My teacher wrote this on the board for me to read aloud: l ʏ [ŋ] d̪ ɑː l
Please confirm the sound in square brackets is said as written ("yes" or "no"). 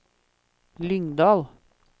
yes